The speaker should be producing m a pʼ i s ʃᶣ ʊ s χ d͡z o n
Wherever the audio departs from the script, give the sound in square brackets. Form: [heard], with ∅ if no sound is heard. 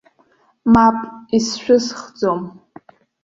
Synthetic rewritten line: m a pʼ i s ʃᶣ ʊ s χ d͡z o [m]